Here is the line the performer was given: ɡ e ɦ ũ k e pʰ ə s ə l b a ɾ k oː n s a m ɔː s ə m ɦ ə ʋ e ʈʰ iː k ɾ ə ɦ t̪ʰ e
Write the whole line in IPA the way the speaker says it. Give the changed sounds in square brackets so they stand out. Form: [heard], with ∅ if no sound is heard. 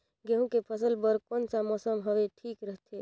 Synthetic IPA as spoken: ɡ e ɦ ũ k e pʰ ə s ə l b [ə] ɾ k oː n s a m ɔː s ə m ɦ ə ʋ e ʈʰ iː k ɾ ə ɦ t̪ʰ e